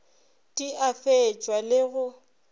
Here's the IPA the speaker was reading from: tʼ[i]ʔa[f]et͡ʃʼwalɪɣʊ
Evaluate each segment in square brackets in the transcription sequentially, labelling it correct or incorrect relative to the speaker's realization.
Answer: correct, correct

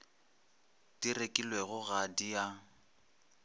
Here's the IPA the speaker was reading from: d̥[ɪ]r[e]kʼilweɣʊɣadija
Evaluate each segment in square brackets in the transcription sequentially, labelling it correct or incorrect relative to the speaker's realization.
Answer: incorrect: i, correct

